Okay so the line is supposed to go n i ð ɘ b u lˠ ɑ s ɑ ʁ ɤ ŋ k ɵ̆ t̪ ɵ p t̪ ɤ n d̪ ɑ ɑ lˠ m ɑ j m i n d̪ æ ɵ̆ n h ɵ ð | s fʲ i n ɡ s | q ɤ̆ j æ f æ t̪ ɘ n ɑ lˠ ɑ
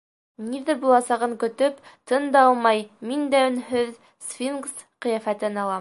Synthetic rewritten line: n i ð ɘ b u lˠ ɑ s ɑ ʁ ɤ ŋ k ɵ̆ t̪ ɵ p t̪ ɤ n d̪ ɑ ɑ lˠ m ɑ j m i n d̪ æ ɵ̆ n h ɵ ð | s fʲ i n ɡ s | q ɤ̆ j æ f æ t̪ ɘ n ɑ lˠ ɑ